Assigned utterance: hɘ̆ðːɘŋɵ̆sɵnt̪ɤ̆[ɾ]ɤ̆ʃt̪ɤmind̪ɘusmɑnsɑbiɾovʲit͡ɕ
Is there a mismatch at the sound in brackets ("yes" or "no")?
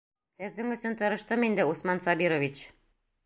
no